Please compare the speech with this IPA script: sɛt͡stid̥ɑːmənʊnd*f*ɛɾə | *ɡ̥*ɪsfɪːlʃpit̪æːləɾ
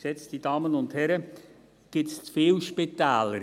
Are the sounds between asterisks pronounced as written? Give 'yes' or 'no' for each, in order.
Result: no, yes

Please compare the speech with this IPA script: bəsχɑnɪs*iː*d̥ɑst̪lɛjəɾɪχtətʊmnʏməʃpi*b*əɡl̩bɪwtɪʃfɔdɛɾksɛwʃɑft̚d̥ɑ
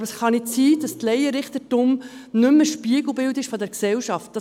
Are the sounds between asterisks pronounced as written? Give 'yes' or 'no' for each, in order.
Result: yes, no

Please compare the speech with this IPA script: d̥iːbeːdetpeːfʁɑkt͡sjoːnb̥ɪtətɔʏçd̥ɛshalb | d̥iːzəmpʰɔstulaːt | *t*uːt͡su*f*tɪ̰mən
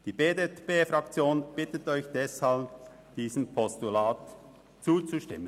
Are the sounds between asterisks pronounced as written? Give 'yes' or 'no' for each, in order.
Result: no, no

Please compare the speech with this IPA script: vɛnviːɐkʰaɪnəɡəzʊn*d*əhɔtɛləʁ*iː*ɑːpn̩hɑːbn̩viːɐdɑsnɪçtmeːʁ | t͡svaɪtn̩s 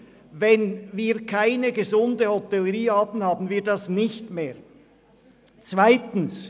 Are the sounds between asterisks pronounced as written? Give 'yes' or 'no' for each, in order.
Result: yes, yes

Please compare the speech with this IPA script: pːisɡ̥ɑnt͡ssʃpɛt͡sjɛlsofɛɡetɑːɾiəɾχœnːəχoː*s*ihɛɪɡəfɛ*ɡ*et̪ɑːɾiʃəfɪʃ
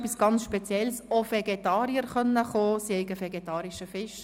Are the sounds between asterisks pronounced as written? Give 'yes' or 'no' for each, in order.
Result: yes, yes

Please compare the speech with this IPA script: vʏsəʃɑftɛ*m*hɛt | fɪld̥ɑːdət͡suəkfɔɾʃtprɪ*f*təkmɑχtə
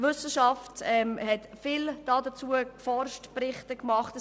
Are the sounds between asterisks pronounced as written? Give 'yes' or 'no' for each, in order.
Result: yes, no

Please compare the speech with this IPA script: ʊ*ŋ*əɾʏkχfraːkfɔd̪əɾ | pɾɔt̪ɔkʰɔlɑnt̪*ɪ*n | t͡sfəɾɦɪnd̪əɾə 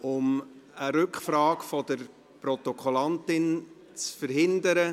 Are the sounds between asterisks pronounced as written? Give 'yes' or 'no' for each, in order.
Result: no, yes

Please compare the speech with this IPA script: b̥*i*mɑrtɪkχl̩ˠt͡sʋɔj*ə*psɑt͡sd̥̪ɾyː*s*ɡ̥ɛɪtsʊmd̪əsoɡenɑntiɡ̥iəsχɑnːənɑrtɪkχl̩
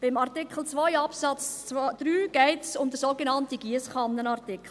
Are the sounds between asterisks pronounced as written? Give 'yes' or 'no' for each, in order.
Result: no, no, no

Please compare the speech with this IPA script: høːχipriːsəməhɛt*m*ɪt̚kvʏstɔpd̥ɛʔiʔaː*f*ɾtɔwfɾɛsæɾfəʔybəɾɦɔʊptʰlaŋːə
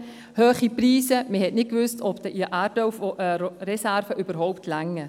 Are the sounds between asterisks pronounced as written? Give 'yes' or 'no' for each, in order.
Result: no, no

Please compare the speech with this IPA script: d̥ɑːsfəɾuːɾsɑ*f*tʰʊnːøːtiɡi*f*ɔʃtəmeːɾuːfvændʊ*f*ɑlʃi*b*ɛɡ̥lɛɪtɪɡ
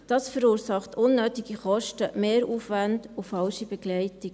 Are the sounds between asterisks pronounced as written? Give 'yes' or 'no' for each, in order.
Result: no, no, yes, yes

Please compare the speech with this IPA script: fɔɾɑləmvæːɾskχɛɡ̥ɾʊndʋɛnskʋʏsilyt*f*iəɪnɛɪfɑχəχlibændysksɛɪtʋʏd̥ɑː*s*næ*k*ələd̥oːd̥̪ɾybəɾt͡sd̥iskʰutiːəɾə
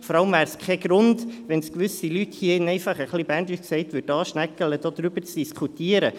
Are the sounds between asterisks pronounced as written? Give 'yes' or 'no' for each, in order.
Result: no, no, yes

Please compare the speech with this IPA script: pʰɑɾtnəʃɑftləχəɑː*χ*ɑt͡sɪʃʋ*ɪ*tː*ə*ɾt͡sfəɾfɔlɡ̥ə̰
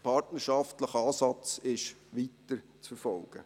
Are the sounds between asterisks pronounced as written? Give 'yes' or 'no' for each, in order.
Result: no, no, yes

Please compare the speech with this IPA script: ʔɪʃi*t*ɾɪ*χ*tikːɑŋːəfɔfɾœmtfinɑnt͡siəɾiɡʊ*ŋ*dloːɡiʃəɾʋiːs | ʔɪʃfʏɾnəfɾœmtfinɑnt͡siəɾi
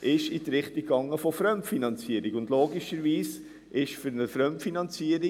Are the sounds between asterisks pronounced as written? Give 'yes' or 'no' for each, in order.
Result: yes, yes, no

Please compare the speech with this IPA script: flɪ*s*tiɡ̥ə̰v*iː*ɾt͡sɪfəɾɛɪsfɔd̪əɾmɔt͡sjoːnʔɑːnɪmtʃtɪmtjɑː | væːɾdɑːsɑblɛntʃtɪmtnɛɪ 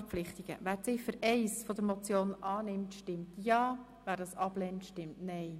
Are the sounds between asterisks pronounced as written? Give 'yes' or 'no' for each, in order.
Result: no, no

